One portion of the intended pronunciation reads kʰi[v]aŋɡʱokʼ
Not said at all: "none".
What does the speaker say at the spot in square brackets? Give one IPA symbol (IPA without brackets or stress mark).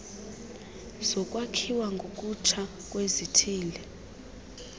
w